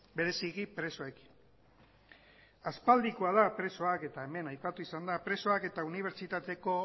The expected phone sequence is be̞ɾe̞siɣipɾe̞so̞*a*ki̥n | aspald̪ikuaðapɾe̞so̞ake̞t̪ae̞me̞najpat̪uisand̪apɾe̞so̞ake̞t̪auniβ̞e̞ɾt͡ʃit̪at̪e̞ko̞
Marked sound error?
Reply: yes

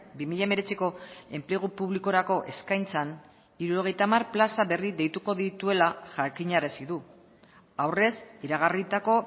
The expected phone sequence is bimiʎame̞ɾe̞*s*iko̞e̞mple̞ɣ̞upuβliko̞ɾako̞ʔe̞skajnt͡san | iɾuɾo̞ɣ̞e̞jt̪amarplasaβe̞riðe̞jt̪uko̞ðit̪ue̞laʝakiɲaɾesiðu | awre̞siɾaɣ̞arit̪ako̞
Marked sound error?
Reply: yes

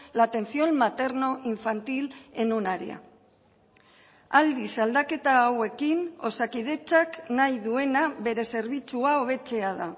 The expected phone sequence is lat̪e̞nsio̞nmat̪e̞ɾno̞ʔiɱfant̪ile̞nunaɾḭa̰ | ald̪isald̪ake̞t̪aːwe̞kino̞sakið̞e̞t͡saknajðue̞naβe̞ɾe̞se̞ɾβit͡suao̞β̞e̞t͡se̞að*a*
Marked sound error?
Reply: no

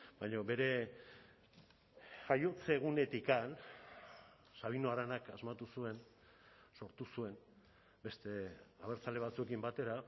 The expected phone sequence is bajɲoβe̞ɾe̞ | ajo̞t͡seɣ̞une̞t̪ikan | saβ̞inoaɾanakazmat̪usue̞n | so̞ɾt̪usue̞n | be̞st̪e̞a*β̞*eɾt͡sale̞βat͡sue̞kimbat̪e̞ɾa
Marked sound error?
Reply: no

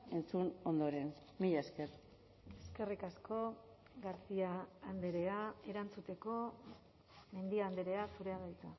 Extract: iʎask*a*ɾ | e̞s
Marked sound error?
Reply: yes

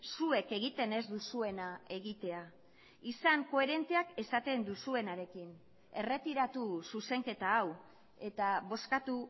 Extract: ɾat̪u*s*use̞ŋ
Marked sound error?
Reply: no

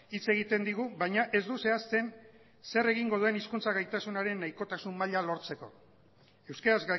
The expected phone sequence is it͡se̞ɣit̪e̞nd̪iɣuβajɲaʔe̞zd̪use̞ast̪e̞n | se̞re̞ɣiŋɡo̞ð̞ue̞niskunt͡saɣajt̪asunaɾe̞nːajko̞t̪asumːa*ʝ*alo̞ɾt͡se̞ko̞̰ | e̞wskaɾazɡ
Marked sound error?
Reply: yes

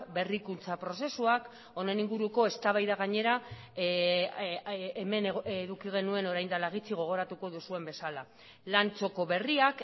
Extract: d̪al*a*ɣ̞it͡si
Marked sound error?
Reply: no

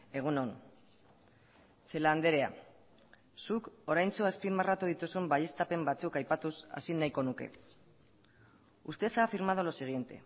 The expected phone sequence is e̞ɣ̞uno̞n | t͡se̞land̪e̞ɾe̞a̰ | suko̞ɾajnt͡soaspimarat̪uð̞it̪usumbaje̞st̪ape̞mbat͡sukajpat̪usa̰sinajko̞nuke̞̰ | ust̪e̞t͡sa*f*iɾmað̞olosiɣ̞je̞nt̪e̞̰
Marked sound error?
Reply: no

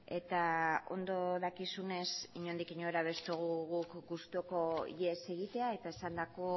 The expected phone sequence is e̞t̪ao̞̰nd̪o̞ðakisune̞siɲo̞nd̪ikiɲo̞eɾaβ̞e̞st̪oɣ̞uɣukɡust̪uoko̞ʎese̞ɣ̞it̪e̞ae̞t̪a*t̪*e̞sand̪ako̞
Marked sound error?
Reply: yes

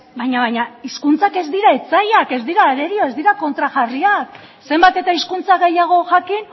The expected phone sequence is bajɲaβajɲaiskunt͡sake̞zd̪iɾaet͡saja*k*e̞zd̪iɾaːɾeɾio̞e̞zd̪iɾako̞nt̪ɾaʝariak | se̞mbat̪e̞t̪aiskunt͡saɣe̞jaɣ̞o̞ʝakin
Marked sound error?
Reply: no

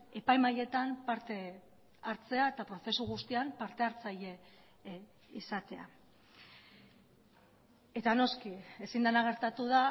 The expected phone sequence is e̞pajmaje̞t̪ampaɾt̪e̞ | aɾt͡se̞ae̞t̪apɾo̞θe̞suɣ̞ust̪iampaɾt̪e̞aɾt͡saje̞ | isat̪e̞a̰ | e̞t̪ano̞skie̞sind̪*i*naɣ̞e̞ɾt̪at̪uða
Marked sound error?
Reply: yes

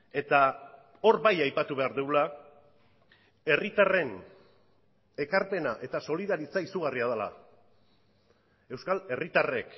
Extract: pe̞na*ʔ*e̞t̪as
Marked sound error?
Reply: no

